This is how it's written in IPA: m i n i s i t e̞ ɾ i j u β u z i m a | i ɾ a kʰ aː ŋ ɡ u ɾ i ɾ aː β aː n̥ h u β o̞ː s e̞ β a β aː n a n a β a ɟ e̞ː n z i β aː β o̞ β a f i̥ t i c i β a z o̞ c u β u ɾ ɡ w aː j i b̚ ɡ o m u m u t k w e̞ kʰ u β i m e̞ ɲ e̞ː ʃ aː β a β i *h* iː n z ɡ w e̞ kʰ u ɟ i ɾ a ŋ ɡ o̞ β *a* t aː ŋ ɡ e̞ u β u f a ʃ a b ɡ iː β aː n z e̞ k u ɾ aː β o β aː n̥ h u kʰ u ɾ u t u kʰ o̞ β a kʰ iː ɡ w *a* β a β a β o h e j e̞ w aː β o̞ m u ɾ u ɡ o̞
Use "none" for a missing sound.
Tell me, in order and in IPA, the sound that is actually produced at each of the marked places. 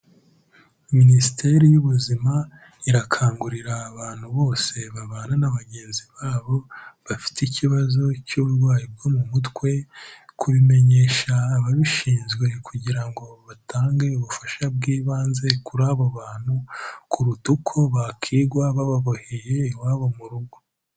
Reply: ʃ, a, a

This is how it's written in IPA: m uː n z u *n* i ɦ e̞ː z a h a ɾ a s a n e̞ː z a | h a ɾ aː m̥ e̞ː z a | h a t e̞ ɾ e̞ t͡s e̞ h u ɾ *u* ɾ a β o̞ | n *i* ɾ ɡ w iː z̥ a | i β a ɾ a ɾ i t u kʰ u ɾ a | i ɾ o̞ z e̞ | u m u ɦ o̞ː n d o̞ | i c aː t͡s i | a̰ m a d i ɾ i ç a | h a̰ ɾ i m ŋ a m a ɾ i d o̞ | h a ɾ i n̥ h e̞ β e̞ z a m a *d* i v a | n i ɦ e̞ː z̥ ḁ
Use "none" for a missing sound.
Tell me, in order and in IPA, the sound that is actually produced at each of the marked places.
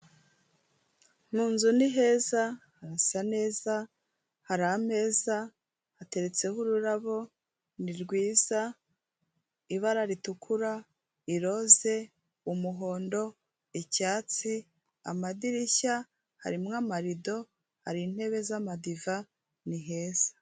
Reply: n, u, i, d

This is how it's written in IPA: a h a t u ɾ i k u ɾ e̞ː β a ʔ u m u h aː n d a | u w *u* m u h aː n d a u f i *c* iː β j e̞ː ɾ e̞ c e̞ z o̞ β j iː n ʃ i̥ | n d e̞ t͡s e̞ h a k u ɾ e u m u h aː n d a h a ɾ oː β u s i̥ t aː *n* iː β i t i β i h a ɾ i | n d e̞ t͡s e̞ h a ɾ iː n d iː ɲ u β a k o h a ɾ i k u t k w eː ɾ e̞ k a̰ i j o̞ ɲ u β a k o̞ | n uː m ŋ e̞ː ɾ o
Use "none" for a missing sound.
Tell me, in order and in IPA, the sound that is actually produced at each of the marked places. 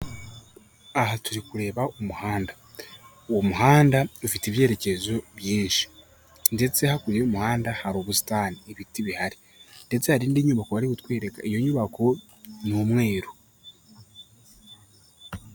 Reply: o, t, n

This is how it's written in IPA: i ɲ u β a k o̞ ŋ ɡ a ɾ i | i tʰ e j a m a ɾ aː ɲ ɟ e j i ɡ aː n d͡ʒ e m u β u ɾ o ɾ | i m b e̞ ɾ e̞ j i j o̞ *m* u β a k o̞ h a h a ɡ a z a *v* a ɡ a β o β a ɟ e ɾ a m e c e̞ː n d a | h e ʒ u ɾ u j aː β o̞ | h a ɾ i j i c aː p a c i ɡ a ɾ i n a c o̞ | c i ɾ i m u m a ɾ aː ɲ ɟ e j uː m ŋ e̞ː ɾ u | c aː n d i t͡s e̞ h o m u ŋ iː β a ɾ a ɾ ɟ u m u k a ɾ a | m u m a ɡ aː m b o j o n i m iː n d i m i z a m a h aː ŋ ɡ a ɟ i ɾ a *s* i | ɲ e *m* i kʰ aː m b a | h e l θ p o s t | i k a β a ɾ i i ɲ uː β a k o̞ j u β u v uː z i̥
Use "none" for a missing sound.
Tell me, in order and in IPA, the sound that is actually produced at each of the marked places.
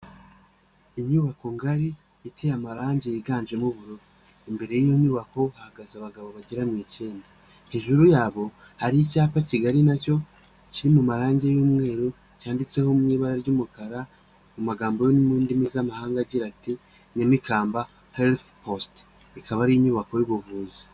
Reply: ɲ, β, t, m

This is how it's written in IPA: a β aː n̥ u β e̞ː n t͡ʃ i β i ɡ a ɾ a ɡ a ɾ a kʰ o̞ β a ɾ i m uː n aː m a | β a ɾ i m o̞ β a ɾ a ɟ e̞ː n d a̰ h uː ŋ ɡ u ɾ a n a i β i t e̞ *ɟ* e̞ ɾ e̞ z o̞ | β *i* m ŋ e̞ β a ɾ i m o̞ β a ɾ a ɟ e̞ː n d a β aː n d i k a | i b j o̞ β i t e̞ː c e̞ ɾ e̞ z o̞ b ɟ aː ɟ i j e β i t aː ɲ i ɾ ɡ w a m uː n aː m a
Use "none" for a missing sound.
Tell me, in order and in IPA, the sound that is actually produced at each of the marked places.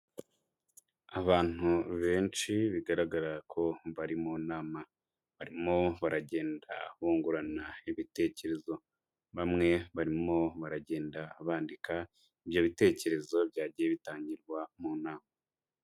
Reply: c, a

